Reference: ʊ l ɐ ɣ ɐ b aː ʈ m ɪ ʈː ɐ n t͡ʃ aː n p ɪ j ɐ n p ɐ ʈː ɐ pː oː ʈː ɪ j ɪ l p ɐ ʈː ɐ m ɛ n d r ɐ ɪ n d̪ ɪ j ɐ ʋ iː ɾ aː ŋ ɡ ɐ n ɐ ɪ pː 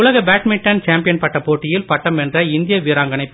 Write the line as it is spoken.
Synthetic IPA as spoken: ʊ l ɐ ɣ ɐ b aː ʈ m ɪ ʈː ɐ n t͡ʃ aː m p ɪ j ɐ n p ɐ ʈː ɐ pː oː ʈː ɪ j ɪ l p ɐ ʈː ɐ m ɛ n d r ɐ ɪ n d̪ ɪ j ɐ ʋ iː ɾ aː ŋ ɡ ɐ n ɐ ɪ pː

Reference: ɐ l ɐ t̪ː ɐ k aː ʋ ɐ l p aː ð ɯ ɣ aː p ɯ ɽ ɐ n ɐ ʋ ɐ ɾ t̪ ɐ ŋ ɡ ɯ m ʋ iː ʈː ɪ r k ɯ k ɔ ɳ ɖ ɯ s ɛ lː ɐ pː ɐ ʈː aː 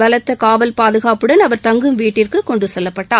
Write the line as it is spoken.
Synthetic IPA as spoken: ɐ l ɐ t̪ː ɐ k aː ʋ ɐ l p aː ð ɯ ɣ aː p ɯ ɽ ɐ n ɐ ʋ ɐ ɾ t̪ ɐ ŋ ɡ ɯ m ʋ iː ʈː ɪ r k ɯ k ɔ ɳ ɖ ɯ s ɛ lː ɐ pː ɐ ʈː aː

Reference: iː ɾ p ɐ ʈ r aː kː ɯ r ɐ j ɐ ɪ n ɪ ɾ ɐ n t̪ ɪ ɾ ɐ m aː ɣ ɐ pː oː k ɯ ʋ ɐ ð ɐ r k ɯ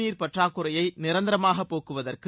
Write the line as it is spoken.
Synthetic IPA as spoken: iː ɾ p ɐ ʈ r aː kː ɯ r ɐ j ɐ ɪ n ɪ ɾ ɐ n d̪ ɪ ɾ ɐ m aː ɣ ɐ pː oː k ɯ ʋ ɐ ð ɐ r k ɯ

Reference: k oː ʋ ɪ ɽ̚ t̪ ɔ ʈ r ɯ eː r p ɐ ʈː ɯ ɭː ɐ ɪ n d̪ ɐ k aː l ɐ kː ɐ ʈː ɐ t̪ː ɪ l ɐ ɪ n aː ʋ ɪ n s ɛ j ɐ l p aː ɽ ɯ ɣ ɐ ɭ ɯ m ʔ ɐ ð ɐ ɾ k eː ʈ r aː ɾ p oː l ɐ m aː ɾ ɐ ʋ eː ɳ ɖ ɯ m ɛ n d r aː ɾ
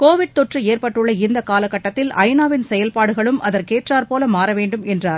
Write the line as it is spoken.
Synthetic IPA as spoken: k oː ʋ ɪ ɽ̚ t̪ ɔ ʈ r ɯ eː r p ɐ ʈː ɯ ɭː ɐ ɪ n d̪ ɐ k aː l ɐ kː ɐ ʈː ɐ t̪ː ɪ l ɐ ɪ n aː ʋ ɪ n s ɛ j ɐ l p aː ɽ ɯ ɣ ɐ ɭ ɯ m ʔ ɐ ð ɐ ɾ k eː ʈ r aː ɾ p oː l ɐ m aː ɾ ɐ ʋ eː ɳ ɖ ɯ m ɛ n d r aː ɾ

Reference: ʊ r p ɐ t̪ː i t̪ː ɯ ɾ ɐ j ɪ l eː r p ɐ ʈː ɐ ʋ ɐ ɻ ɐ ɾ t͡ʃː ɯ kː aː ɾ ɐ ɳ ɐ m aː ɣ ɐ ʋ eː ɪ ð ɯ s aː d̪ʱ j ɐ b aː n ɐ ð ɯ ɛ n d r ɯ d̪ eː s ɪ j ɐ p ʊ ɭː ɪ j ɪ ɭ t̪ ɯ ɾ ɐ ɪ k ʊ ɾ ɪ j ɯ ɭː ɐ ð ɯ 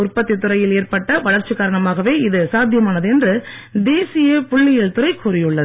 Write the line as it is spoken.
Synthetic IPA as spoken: ʊ r p ɐ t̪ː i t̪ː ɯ ɾ ɐ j ɪ l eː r p ɐ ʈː ɐ ʋ ɐ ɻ ɐ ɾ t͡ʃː ɯ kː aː ɾ ɐ ɳ ɐ m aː ɣ ɐ ʋ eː ɪ ð ɯ s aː d̪ʱ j ɐ m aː n ɐ ð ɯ ɛ n d r ɯ d̪ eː s ɪ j ɐ p ʊ ɭː ɪ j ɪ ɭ t̪ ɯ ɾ ɐ ɪ k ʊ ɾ ɪ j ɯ ɭː ɐ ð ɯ

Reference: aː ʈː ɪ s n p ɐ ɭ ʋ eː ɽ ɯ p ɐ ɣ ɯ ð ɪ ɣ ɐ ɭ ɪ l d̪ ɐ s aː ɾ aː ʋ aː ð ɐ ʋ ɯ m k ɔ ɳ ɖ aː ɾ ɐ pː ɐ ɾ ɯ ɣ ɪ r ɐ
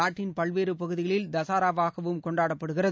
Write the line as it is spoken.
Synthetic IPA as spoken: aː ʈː ɪ n p ɐ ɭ ʋ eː ɾ ɯ p ɐ ɣ ɯ ð ɪ ɣ ɐ ɭ ɪ l d̪ ɐ s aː ɾ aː ʋ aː ɣ ɐ ʋ ɯ m k ɔ ɳ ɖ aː ɽ ɐ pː ɐ ɽ ɯ ɣ ɪ r ɐ

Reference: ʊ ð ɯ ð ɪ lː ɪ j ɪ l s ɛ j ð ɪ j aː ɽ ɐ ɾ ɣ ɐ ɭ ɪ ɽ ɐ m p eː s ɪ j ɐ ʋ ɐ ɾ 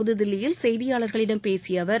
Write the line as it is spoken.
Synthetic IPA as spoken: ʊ ð ɯ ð ɪ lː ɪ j ɪ l s ɛ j ð ɪ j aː ɭ ɐ ɾ ɣ ɐ ɭ ɪ ɽ ɐ m p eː s ɪ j ɐ ʋ ɐ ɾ

